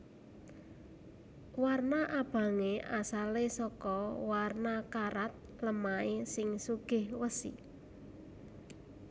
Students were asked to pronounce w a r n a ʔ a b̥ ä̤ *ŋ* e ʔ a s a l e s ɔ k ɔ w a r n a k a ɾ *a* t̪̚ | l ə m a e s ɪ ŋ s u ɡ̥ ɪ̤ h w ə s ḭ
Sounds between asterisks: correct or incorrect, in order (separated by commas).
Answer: correct, correct